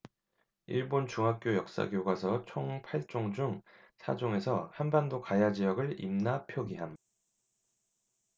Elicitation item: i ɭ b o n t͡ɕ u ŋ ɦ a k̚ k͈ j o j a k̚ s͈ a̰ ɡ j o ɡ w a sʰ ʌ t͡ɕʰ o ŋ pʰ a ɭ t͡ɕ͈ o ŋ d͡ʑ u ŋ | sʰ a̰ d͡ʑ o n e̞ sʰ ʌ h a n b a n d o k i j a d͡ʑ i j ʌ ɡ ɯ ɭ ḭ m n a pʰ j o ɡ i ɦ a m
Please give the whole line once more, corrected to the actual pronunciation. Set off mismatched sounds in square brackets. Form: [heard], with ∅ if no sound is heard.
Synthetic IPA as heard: i ɭ b o n t͡ɕ u ŋ ɦ a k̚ k͈ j o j [ʌ] k̚ s͈ a̰ ɡ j o ɡ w a sʰ ʌ t͡ɕʰ o ŋ pʰ a ɭ t͡ɕ͈ o ŋ d͡ʑ u ŋ | sʰ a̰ d͡ʑ o [ŋ] e̞ sʰ ʌ h a n b a n d o k [a] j a d͡ʑ i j ʌ ɡ ɯ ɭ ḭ m n a pʰ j o ɡ i ɦ a m